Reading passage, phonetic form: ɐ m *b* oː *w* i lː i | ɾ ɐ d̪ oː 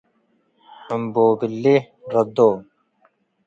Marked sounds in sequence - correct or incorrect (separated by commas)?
correct, incorrect